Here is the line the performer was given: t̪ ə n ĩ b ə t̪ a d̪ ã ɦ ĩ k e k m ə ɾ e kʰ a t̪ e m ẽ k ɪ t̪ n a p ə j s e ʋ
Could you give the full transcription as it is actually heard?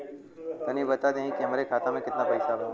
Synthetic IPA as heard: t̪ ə n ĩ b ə t̪ a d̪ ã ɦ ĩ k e m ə ɾ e kʰ a t̪ a m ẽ k ɪ t̪ n a p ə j s a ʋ